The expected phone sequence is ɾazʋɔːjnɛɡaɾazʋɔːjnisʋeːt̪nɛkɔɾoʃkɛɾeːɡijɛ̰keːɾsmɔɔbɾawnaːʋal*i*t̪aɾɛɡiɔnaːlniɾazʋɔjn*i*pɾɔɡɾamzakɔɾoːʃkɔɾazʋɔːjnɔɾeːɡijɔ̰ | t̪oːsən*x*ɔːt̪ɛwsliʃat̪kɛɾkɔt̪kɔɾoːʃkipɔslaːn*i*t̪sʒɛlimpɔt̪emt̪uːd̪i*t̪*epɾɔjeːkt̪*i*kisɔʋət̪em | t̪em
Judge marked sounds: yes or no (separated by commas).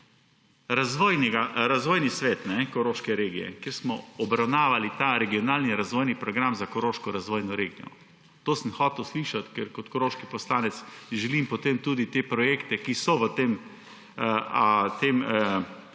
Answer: yes, yes, yes, no, yes, no